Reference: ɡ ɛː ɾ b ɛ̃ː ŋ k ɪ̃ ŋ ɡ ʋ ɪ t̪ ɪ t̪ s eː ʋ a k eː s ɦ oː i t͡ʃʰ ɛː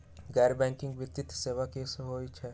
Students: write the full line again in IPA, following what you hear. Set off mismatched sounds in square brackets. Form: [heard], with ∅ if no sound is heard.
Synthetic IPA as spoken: ɡ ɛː ɾ b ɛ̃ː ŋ k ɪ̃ ŋ ɡ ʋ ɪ t̪ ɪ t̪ s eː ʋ a k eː s ɦ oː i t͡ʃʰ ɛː